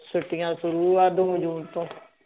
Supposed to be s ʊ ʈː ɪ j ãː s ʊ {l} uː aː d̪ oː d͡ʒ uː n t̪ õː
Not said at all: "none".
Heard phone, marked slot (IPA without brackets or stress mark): ɾ